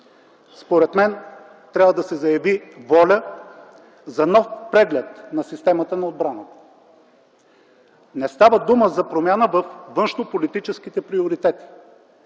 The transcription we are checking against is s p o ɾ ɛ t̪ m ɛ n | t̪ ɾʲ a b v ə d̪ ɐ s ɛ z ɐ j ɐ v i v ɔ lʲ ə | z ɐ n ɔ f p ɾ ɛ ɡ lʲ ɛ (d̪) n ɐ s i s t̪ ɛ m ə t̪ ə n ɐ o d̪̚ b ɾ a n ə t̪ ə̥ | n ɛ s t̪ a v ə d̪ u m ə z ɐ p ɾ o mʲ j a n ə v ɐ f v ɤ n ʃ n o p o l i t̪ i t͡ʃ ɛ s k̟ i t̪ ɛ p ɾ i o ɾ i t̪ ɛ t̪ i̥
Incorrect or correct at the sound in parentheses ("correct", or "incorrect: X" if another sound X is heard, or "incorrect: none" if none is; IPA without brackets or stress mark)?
incorrect: t̪